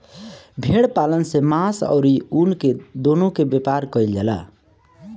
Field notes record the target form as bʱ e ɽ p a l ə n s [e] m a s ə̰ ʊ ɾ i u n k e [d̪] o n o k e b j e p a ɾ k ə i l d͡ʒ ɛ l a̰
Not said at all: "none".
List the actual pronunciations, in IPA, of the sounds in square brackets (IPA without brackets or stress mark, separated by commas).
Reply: e, d̪